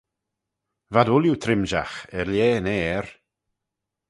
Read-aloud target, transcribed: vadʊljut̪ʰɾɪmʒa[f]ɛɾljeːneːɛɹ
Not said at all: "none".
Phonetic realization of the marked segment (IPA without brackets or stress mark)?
x